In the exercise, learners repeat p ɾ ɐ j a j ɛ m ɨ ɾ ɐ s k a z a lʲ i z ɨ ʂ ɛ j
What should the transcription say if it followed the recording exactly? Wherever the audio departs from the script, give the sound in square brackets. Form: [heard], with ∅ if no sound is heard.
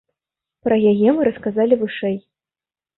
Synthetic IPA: p ɾ ɐ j a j ɛ m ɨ ɾ ɐ s k a z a lʲ i [v] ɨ ʂ ɛ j